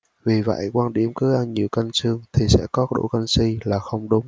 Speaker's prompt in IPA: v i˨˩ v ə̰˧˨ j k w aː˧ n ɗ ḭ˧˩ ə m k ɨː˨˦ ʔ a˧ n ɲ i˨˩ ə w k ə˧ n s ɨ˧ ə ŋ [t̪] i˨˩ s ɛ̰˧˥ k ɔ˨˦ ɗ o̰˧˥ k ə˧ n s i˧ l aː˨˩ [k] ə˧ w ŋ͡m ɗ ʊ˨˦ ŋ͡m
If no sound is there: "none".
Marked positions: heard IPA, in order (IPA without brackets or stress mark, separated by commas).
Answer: t̪ʰ, x